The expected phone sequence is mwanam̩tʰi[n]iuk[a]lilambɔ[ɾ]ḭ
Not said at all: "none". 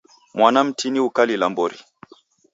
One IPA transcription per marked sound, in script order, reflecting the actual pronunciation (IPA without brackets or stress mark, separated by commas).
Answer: n, a, ɾ